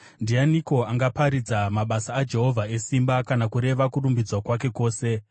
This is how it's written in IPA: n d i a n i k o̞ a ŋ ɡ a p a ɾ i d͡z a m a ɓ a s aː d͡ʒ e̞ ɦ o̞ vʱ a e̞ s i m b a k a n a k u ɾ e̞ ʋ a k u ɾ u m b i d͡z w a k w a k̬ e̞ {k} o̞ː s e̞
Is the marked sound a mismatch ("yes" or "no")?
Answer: no